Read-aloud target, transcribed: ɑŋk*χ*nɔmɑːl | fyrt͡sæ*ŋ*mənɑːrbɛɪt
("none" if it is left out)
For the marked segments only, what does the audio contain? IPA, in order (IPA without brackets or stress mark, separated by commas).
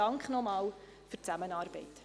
χ, none